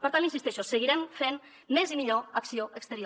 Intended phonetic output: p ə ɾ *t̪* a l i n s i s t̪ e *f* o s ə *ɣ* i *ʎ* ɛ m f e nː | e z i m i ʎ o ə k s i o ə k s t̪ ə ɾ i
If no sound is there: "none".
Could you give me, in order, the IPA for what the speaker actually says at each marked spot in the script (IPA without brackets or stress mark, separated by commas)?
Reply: t̪, ʃ, ɣ, ɾ